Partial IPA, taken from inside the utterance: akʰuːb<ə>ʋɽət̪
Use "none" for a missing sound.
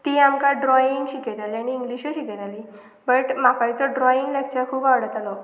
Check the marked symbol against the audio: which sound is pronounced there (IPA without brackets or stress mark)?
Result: a